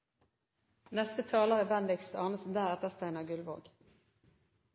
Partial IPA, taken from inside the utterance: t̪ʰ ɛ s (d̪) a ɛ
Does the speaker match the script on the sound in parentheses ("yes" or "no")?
no